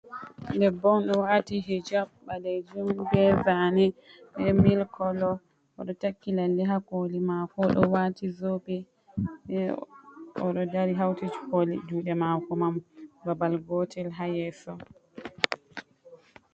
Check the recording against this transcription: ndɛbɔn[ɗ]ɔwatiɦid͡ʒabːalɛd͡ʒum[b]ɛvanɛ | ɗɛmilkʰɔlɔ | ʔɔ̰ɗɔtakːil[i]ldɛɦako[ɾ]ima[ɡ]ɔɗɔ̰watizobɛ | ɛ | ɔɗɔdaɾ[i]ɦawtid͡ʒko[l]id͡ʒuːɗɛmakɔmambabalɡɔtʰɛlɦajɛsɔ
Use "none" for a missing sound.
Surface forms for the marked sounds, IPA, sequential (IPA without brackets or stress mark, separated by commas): ɗ, b, a, l, k, i, l